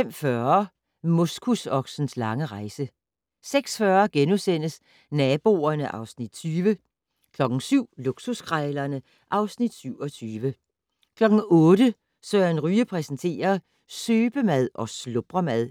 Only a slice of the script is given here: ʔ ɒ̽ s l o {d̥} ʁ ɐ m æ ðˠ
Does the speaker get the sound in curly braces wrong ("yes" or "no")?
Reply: yes